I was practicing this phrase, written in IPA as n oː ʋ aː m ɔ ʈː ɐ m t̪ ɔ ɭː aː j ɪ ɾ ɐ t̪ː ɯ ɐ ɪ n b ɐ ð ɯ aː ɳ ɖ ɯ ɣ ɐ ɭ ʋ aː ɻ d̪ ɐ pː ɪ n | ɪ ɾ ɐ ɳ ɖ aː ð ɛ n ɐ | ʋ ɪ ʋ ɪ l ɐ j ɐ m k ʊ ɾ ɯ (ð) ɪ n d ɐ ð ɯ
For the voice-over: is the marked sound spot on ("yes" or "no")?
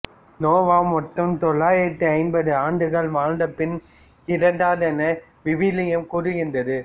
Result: no